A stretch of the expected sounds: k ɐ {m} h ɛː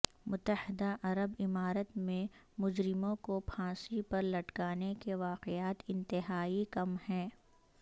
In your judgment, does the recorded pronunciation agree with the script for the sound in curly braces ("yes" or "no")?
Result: yes